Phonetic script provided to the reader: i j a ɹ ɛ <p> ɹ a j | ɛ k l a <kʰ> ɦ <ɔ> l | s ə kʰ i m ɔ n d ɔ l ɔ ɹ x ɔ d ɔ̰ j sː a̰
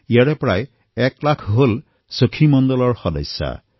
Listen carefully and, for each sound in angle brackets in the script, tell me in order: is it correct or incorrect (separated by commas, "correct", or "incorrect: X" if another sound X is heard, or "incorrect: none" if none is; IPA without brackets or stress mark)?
correct, correct, incorrect: o